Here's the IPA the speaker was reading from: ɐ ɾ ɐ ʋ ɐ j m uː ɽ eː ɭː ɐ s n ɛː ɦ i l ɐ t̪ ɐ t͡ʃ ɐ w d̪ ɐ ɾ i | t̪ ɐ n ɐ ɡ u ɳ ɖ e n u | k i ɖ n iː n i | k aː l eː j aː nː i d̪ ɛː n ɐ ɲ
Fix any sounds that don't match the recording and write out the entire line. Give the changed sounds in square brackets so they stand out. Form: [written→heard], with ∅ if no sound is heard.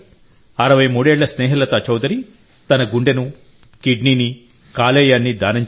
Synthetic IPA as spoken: ɐ ɾ ɐ ʋ ɐ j m uː ɽ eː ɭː ɐ s n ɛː ɦ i l ɐ t̪ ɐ t͡ʃ ɐ w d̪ ɐ ɾ i | t̪ ɐ n ɐ ɡ u ɳ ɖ e n u | k i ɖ n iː n i | k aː l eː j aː nː i d̪ [ɛː→aː] n ɐ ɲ